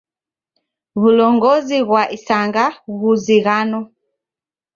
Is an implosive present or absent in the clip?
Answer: absent